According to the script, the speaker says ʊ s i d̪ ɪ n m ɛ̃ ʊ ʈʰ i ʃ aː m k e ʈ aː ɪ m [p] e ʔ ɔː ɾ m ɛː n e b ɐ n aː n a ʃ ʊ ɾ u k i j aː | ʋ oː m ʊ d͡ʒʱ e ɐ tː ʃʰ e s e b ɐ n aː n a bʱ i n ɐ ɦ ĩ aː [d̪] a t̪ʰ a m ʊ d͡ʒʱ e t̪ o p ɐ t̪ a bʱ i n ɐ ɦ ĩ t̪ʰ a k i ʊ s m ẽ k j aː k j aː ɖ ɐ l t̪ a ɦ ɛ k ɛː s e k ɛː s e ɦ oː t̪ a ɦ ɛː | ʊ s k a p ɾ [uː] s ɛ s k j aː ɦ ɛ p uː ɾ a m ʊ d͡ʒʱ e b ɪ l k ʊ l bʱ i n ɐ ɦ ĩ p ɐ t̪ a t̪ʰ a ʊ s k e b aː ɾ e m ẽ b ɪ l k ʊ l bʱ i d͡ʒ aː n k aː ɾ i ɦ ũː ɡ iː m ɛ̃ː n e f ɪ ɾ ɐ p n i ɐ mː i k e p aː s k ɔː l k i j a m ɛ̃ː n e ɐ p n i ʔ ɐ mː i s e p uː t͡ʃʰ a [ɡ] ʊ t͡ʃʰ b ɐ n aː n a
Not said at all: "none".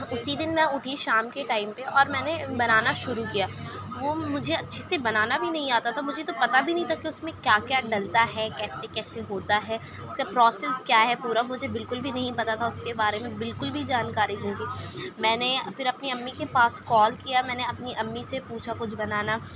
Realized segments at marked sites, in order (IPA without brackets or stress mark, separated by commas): p, t̪, ɔː, k